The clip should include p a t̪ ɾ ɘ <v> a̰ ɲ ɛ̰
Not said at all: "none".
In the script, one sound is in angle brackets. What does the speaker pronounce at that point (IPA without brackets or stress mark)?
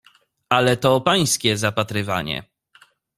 v